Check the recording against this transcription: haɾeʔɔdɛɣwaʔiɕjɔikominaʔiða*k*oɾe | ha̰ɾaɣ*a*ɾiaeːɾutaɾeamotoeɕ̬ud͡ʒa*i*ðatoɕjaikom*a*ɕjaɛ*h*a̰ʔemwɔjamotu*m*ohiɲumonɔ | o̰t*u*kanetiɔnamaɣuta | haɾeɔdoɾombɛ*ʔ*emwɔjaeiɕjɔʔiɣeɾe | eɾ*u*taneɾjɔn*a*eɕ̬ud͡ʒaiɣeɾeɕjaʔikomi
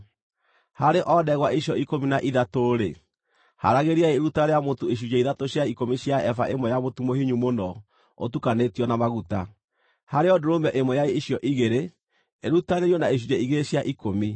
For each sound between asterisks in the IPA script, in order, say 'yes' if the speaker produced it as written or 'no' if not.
no, no, yes, no, no, yes, yes, yes, yes, yes

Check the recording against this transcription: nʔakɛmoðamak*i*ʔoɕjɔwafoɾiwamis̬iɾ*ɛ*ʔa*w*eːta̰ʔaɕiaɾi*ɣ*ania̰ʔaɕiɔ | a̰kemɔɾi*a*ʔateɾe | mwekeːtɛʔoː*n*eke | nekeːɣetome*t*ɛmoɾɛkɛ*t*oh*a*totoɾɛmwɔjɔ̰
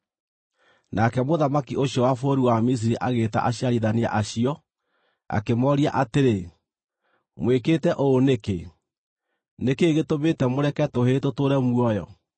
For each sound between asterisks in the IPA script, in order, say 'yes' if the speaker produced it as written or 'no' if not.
yes, no, no, no, yes, yes, yes, yes, no

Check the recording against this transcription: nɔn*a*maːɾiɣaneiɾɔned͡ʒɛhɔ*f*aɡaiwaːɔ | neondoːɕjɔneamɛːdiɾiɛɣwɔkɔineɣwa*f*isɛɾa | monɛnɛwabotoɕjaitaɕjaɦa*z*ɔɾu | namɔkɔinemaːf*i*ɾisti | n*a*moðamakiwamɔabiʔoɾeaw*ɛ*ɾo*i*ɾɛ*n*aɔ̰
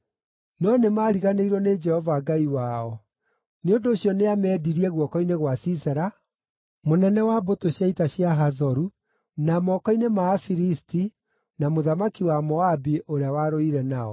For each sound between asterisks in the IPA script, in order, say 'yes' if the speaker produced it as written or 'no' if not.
no, no, no, yes, yes, yes, no, yes, yes

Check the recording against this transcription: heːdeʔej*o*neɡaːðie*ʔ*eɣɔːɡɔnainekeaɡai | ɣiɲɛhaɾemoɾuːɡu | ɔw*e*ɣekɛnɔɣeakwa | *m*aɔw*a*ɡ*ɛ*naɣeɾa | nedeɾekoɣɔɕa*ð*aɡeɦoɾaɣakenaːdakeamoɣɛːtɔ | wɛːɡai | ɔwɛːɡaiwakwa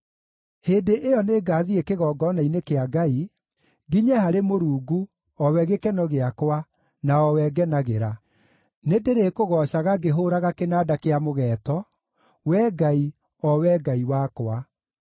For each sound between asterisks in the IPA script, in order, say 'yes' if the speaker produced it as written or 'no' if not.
no, no, no, no, no, yes, no

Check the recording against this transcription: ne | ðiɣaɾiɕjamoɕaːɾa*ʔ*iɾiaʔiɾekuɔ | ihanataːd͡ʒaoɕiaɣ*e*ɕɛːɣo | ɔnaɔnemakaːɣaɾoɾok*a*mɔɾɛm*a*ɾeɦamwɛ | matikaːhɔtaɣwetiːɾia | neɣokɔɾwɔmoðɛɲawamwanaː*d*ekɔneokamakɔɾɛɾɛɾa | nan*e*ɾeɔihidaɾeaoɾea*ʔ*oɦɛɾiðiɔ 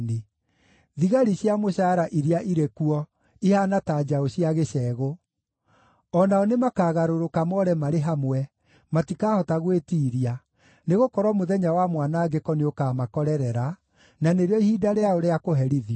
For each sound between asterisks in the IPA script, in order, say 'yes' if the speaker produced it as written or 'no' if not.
yes, yes, yes, yes, no, yes, no

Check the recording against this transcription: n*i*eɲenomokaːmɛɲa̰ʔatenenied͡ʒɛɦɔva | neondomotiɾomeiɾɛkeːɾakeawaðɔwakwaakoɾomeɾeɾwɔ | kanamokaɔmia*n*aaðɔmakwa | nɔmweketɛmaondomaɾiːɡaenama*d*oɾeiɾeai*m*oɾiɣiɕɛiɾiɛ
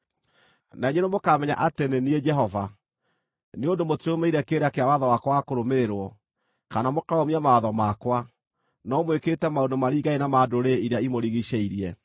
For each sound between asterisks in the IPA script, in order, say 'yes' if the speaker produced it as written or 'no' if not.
no, no, yes, yes

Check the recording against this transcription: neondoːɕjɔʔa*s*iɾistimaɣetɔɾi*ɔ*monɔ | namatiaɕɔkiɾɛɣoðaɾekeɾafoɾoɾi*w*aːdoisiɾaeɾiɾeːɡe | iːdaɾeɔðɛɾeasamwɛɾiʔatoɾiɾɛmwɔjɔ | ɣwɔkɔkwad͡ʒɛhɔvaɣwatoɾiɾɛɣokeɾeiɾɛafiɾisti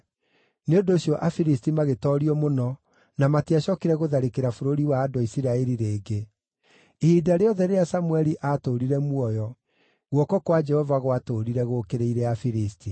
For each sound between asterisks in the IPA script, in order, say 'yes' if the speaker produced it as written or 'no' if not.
no, yes, yes

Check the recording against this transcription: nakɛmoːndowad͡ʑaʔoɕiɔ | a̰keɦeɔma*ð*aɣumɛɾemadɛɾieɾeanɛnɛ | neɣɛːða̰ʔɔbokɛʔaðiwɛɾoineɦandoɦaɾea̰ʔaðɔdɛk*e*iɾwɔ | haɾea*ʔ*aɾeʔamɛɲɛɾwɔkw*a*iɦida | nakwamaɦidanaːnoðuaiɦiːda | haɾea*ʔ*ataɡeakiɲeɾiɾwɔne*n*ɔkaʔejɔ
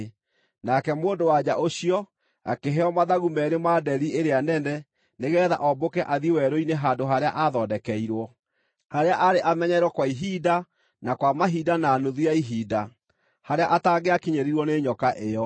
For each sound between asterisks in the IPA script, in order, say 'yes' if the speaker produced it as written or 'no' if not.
yes, no, yes, yes, yes, no

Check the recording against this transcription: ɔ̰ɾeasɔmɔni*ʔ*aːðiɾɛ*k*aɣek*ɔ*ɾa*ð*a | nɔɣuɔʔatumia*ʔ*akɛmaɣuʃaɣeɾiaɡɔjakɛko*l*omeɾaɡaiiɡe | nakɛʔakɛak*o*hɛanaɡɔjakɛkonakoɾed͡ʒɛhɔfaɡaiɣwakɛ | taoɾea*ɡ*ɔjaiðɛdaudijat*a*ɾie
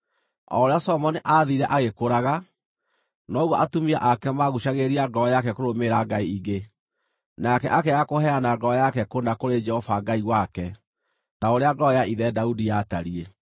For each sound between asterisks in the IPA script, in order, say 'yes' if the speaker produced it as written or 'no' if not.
yes, no, no, no, yes, no, yes, yes, yes

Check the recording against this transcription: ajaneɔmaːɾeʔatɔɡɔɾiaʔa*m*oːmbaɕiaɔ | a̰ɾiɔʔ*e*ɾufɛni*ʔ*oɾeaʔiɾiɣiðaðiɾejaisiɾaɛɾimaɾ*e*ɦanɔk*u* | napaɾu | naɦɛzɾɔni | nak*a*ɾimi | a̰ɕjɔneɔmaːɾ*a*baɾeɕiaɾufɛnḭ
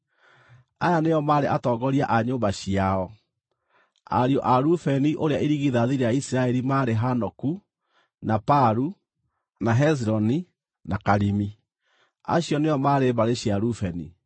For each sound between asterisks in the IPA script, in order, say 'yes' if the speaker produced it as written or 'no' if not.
no, no, yes, yes, yes, yes, no

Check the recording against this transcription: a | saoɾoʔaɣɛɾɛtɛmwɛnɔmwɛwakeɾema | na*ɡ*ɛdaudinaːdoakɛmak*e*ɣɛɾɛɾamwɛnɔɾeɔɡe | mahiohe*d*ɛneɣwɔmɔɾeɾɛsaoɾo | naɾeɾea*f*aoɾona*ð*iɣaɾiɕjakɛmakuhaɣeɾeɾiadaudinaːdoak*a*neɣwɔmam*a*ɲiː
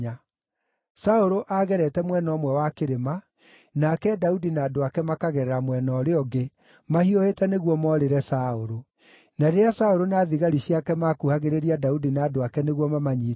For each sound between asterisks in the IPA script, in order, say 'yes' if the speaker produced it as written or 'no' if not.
no, no, no, no, yes, no, yes

